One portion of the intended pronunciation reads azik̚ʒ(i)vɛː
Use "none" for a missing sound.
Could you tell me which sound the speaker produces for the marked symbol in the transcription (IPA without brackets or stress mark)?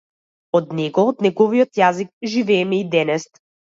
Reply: i